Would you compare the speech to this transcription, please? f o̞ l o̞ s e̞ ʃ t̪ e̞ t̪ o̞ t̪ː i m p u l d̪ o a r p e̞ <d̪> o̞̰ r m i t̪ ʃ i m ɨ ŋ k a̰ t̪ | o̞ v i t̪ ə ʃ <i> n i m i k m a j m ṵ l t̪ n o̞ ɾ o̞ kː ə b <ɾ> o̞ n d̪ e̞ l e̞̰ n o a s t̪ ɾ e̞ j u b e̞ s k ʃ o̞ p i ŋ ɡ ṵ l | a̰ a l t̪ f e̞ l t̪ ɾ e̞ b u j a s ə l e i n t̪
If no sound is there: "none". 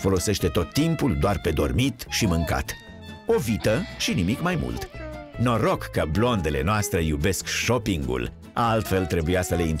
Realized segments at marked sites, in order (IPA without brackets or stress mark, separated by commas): d̪, i, l